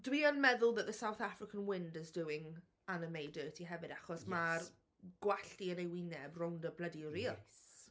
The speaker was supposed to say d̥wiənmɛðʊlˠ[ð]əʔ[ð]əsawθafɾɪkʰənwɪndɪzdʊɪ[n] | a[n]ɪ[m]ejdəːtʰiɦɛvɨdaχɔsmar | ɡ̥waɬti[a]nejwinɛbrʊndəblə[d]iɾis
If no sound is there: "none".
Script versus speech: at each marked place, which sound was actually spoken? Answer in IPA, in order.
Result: ð, ð, ŋ, n, m, ə, d

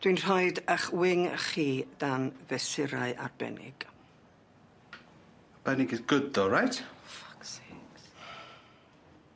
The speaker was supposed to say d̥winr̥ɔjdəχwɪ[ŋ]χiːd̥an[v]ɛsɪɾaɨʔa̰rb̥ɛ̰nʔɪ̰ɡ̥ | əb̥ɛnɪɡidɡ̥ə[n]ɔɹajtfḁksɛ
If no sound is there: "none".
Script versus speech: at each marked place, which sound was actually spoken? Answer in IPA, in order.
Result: ŋ, v, d

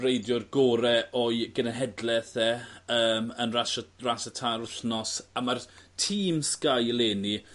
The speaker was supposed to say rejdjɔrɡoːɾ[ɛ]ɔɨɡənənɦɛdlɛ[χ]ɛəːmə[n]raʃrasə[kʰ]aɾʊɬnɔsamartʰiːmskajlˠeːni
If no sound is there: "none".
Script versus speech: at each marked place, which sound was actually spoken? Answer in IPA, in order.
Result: ɛ, θ, n, tʰ

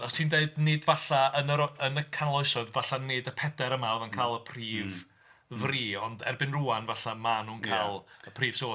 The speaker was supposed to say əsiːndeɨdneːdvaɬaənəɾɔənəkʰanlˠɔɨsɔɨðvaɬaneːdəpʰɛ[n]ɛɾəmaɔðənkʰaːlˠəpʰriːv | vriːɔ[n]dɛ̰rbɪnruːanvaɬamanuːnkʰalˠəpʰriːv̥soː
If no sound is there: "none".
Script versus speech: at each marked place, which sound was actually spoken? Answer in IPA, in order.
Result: d, n

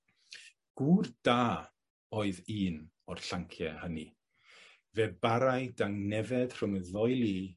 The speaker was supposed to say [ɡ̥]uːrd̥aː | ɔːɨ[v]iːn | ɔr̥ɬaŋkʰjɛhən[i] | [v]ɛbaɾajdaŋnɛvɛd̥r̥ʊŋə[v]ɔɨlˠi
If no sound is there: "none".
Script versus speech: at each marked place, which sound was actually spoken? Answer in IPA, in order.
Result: ɡ̥, ð, i, v, ð

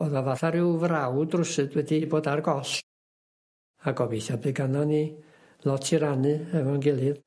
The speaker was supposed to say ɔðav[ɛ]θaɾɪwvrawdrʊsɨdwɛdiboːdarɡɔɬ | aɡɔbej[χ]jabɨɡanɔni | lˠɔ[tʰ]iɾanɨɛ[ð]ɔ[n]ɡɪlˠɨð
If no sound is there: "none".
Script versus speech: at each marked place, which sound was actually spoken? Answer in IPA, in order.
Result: a, θ, tʰ, v, n

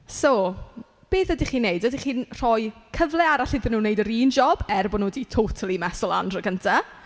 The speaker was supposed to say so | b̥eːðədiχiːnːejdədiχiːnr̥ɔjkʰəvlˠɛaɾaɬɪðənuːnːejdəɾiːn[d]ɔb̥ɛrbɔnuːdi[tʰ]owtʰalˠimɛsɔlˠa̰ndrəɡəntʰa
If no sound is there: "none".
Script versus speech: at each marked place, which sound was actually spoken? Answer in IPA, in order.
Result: d͡ʒ, tʰ

